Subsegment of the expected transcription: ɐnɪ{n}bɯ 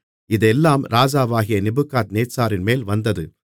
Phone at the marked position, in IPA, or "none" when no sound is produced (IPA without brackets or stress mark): none